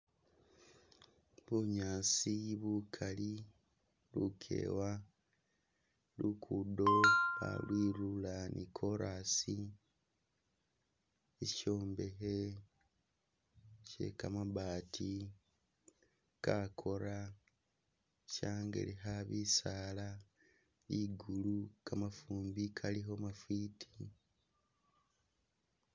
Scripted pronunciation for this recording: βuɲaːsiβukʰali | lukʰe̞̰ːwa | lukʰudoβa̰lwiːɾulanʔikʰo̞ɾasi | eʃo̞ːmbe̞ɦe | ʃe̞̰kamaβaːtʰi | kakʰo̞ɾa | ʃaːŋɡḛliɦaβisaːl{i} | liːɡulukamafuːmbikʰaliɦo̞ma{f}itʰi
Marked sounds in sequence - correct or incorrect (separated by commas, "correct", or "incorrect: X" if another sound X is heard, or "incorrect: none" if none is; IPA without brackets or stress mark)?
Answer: incorrect: a, correct